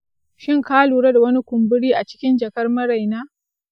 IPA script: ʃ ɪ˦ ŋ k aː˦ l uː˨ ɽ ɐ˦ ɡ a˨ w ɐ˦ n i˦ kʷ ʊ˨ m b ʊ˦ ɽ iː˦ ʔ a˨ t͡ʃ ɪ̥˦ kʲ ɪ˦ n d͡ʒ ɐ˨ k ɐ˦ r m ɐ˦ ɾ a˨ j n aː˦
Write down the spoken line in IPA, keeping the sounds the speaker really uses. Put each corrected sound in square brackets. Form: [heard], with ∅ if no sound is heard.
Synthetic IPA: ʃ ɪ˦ ŋ k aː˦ l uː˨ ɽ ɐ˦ [d] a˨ w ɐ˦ n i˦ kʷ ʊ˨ m b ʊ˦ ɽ iː˦ ʔ a˨ t͡ʃ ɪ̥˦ kʲ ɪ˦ n d͡ʒ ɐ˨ k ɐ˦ r m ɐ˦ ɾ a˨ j n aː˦